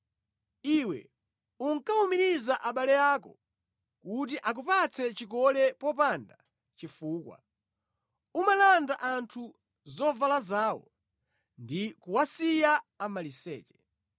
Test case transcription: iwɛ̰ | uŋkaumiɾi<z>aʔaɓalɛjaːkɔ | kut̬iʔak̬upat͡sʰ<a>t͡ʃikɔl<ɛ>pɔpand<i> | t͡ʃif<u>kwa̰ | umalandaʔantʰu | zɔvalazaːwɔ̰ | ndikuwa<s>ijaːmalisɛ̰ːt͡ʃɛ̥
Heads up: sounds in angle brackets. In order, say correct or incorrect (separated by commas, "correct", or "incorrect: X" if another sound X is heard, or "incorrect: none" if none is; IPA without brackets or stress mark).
correct, incorrect: ɛ, correct, incorrect: a, incorrect: uː, correct